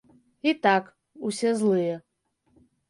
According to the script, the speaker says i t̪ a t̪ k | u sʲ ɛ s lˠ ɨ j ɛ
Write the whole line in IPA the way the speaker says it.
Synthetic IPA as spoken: i t̪ a k | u sʲ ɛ z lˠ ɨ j ɛ